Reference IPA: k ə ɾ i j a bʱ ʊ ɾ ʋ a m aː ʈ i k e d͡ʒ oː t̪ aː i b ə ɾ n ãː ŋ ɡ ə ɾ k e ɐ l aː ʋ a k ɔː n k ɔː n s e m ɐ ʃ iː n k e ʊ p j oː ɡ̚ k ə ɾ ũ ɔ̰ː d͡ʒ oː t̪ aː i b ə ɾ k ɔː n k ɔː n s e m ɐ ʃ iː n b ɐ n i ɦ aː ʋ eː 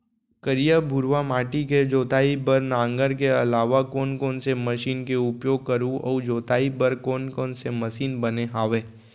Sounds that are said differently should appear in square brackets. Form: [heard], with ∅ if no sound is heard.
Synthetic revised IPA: k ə ɾ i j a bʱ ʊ ɾ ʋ a m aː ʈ i k e d͡ʒ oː t̪ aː i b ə ɾ n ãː ŋ ɡ ə ɾ k e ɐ l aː ʋ a k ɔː n k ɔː n s e m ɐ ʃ iː n k e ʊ p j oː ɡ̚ k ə ɾ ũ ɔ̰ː d͡ʒ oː t̪ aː i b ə ɾ k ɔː n k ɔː n s e m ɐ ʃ iː n b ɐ n [e] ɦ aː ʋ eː